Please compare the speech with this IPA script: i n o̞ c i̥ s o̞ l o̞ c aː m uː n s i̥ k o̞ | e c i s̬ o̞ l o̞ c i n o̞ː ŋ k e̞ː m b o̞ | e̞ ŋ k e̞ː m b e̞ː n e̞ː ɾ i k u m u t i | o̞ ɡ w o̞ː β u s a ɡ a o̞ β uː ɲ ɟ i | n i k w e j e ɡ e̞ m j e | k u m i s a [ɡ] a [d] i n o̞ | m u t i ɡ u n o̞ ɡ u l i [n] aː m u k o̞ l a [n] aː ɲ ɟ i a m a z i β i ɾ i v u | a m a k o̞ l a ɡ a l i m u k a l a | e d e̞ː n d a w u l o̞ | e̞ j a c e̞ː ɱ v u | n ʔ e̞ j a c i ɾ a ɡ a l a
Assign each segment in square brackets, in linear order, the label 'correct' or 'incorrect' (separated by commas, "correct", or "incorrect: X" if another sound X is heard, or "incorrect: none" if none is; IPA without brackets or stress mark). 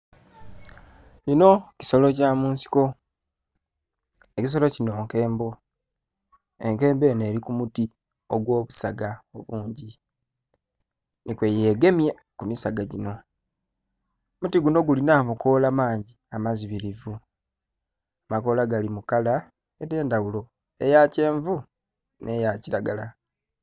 correct, incorrect: ɟ, correct, incorrect: m